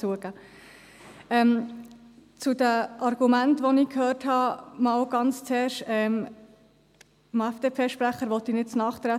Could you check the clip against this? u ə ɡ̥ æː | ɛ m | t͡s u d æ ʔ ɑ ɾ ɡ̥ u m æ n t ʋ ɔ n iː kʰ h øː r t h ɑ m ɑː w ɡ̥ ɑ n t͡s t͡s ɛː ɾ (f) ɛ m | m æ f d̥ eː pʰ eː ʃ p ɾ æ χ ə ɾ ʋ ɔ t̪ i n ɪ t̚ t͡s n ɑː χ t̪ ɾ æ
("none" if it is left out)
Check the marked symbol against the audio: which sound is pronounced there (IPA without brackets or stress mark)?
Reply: ʃ